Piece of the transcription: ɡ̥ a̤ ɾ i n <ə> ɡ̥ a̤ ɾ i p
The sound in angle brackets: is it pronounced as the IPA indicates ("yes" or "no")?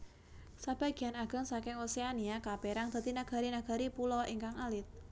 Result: no